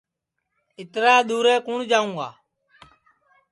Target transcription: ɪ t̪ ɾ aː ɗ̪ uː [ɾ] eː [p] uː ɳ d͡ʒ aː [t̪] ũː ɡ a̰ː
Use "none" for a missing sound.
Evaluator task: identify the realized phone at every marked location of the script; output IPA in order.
ɾ, k, none

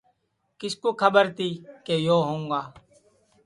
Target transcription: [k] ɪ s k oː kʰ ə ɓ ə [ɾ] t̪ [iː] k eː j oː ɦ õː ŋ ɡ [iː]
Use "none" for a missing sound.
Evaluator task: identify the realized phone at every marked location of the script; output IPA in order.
k, ɾ, iː, aː

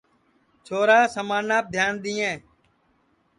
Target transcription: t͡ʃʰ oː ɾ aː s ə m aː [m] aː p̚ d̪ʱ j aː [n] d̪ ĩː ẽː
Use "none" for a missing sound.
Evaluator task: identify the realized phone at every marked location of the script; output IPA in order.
n, n

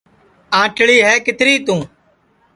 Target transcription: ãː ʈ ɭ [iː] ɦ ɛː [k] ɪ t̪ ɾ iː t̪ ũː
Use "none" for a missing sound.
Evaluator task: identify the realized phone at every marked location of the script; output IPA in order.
iː, k

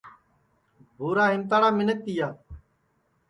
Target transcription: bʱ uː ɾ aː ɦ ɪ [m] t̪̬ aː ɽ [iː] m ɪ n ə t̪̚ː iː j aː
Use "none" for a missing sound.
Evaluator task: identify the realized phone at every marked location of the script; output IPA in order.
m, aː

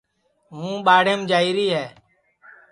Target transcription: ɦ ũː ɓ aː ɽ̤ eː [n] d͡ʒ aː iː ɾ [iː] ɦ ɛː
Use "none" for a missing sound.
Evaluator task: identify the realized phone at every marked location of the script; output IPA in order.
m, iː

